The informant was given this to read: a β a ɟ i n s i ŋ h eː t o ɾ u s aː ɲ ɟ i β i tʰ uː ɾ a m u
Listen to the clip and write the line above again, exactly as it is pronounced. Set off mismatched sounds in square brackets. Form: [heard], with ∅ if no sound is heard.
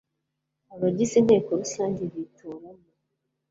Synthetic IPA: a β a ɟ i [∅] s i [n] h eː [k] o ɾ u s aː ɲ ɟ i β i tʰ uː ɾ a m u